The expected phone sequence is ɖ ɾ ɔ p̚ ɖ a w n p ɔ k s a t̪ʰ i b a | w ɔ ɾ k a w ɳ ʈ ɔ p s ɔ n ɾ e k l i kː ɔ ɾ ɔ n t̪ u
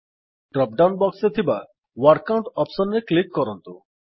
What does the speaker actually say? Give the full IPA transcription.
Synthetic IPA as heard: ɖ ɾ ɔ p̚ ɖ a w n b ɔ k s e t̪ʰ i b a | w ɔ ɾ k a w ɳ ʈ ɔ p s ɔ n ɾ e k l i kː ɔ ɾ ɔ n t̪ u